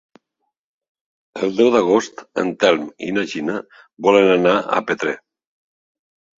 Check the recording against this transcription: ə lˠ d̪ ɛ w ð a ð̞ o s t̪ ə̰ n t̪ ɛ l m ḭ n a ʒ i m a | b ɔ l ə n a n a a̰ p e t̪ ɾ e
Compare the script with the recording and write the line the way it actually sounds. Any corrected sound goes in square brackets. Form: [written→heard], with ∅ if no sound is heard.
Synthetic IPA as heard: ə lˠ d̪ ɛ w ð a [ð̞→ɣ̞] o s t̪ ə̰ n t̪ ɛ l m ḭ n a ʒ i [m→n] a | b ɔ l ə n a n a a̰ p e t̪ ɾ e

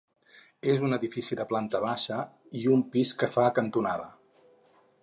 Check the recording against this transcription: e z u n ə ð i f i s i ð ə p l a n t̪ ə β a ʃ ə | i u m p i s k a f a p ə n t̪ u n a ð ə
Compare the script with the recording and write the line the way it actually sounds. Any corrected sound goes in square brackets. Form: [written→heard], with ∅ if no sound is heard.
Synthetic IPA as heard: e z u n ə ð i f i s i ð ə p l a n t̪ ə β a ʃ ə | i u m p i s k [a→ə] f a [p→k] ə n t̪ u n a ð ə

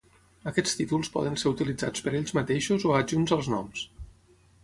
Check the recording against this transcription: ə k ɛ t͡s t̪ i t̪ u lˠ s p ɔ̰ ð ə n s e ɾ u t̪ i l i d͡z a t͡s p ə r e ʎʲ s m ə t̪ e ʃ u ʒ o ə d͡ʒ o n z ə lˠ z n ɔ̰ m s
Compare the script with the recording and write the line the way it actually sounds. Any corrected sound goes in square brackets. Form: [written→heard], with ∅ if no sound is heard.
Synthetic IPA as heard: ə k ɛ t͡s t̪ i t̪ u lˠ s p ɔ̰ ð ə n s e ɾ u t̪ i l i d͡z a t͡s p ə [r→ɾ] e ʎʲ [s→z] m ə t̪ e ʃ u [ʒ→z] o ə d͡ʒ [o→u] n z ə lˠ z n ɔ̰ m s

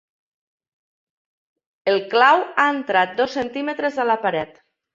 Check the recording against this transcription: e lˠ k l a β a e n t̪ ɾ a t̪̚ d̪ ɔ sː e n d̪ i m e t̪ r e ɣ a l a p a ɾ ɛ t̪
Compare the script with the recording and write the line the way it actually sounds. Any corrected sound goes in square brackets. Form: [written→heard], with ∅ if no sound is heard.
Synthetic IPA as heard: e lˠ k l a [β→w] a e n t̪ ɾ a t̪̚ d̪ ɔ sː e n [d̪→t̪] i m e t̪ [r→ɾ] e [ɣ→z] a l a p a ɾ ɛ t̪

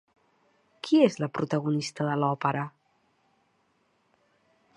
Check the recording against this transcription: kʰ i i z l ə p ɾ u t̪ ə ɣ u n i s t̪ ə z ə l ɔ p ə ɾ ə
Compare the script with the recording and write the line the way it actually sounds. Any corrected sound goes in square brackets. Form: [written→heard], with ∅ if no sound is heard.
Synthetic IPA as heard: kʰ i [i→e] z l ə p ɾ u t̪ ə ɣ u n i s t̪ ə [z→ð] ə l ɔ p ə ɾ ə

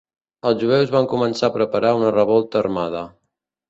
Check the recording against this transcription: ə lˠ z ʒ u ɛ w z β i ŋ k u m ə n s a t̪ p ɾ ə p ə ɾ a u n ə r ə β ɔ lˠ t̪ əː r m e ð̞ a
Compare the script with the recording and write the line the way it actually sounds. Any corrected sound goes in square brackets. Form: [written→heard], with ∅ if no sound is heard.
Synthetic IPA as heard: ə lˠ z ʒ u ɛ w z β [i→a] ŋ k u m ə n s a [t̪→∅] p ɾ ə p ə ɾ a u n ə r ə β ɔ lˠ t̪ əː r m [e→a] ð̞ [a→ə]

